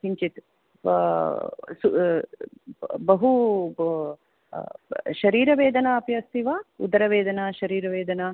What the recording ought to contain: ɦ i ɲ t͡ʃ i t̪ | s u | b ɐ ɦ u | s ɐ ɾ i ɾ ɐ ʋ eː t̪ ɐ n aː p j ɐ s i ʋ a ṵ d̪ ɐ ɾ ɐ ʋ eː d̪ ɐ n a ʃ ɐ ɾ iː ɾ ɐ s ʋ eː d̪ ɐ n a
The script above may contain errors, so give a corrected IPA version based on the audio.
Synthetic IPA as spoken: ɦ i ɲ t͡ʃ i t̪ | s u | b ɐ ɦ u | ʃ ɐ ɾ iː ɾ ɐ ʋ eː d̪ ɐ n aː p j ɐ s i ʋ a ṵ d̪ ɐ ɾ ɐ ʋ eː d̪ ɐ n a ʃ ɐ ɾ iː ɾ ɐ ʋ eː d̪ ɐ n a